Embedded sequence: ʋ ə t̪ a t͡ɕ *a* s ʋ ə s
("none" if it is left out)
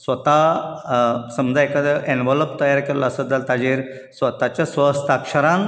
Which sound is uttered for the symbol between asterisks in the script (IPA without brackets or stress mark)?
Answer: a